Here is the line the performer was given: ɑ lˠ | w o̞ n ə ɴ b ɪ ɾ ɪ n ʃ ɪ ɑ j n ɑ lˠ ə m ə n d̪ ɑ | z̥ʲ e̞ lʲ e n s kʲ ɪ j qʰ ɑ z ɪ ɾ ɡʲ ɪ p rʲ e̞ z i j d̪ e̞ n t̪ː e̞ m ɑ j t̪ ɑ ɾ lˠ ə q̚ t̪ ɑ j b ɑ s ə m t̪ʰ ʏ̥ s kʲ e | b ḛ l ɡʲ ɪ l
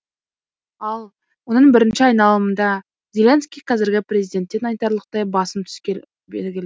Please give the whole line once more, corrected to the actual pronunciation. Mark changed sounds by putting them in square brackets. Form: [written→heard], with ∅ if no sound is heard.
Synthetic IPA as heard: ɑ lˠ | w o̞ n ə ɴ b ɪ ɾ ɪ n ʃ ɪ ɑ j n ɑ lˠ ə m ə n d̪ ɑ | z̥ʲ e̞ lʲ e n s kʲ [ɪ→i] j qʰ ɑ z ɪ ɾ ɡʲ ɪ p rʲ e̞ z i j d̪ e̞ n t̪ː e̞ [m→n] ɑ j t̪ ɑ ɾ lˠ ə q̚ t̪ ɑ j b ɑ s ə m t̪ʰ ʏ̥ s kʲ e | b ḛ l ɡʲ ɪ l